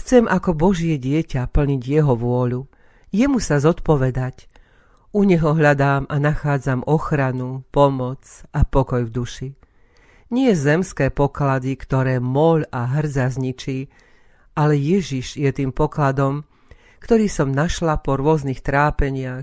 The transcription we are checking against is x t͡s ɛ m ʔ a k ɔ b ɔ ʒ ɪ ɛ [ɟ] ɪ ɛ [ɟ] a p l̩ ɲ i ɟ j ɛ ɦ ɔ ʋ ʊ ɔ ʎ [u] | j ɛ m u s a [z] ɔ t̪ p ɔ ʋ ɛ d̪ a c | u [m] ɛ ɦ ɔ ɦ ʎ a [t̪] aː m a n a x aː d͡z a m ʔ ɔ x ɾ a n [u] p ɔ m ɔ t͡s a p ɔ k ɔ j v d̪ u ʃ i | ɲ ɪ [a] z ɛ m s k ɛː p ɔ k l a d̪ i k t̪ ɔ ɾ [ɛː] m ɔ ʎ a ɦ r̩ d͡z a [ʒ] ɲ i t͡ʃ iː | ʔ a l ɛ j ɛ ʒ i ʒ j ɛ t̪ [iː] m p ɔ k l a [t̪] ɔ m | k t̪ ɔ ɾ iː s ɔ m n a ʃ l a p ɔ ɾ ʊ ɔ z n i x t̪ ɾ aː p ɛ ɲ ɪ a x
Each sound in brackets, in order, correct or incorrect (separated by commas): correct, incorrect, correct, correct, incorrect, incorrect, correct, incorrect, correct, incorrect, correct, incorrect